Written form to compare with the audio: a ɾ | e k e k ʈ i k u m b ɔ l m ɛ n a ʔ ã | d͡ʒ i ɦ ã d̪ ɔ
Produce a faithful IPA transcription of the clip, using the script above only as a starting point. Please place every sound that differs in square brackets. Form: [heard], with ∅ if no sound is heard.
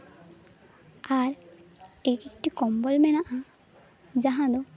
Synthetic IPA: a ɾ | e k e k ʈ i k [ɔ] m b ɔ l m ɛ n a ʔ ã | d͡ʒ [a] ɦ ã d̪ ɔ